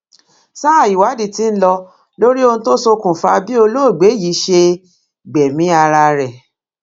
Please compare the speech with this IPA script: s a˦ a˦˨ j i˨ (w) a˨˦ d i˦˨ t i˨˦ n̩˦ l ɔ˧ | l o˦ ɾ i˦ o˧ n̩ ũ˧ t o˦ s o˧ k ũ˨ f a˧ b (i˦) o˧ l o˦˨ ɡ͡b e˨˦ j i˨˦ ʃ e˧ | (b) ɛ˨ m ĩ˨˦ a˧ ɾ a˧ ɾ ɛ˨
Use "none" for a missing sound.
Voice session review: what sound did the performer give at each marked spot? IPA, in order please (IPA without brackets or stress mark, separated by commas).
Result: w, i˦, ɡ͡b